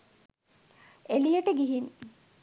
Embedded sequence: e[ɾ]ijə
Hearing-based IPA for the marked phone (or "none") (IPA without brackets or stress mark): l